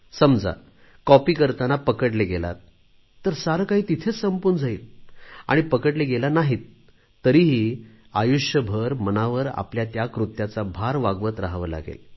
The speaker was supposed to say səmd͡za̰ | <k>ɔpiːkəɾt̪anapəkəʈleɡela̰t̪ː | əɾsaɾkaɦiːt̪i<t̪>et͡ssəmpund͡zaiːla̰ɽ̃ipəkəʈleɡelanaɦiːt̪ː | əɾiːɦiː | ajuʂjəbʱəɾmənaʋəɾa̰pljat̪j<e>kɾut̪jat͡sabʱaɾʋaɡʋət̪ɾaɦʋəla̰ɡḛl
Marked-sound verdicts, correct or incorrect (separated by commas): correct, incorrect, incorrect